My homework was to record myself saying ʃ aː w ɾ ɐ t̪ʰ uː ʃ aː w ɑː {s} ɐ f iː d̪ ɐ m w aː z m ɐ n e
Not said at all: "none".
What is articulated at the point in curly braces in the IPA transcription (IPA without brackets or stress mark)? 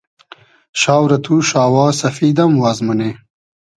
s